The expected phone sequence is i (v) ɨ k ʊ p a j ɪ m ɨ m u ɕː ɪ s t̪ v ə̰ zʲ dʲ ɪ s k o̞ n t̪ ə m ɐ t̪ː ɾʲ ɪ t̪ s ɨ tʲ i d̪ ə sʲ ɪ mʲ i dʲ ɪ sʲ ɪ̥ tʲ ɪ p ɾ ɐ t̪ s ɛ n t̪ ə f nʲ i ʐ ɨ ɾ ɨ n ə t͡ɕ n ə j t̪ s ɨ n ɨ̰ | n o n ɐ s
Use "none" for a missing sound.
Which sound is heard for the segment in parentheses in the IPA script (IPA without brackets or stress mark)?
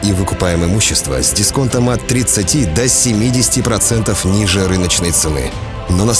v